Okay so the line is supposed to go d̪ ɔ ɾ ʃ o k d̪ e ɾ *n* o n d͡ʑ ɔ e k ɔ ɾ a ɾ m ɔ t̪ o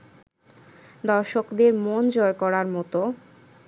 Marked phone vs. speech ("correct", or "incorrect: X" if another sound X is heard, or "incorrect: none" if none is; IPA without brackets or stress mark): incorrect: m